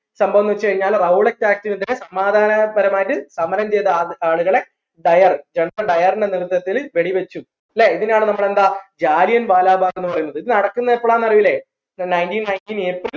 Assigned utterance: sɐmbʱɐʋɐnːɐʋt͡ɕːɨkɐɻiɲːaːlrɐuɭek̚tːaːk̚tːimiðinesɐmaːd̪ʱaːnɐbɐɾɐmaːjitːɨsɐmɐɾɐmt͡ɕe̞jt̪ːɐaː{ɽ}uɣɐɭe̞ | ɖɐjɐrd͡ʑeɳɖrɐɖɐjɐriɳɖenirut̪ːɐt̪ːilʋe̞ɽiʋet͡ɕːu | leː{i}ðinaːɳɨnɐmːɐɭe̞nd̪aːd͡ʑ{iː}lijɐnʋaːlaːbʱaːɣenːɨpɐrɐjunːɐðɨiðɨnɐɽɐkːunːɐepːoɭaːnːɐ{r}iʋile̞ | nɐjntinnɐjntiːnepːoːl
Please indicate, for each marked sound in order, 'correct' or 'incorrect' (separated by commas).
incorrect, correct, incorrect, correct